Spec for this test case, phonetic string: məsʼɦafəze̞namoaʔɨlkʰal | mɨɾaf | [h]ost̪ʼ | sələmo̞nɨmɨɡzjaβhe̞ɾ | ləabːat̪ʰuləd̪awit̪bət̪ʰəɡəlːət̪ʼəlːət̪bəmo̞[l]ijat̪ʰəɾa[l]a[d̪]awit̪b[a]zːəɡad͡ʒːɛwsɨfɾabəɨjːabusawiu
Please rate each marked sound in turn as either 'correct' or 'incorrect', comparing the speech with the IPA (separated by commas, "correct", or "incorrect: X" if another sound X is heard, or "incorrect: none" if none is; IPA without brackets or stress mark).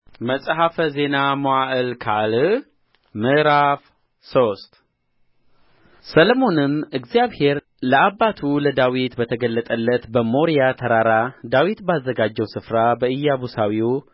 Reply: incorrect: s, incorrect: ɾ, incorrect: ɾ, correct, correct